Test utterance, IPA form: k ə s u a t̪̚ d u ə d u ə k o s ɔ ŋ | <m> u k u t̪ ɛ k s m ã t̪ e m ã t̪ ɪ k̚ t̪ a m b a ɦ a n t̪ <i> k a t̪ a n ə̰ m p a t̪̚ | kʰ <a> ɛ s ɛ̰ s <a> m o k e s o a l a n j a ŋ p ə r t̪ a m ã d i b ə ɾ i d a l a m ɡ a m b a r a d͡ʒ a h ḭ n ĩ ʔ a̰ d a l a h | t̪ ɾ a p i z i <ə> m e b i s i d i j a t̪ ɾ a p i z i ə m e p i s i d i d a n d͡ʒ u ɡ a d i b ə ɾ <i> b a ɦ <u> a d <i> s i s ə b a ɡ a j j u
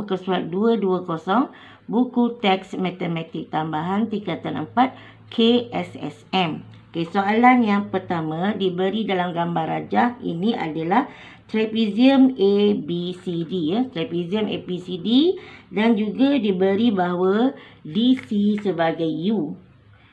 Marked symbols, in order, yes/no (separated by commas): no, yes, no, no, yes, yes, no, yes